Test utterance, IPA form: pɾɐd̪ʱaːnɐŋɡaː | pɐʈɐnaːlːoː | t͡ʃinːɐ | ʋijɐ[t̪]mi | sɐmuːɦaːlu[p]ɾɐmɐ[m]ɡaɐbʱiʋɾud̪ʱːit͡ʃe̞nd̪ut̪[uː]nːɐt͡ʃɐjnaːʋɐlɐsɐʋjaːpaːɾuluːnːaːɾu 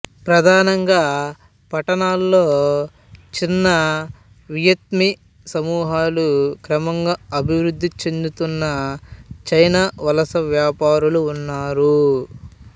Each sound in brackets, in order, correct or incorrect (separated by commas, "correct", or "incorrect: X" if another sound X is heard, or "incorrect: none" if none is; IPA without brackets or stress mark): correct, incorrect: k, incorrect: ŋ, incorrect: u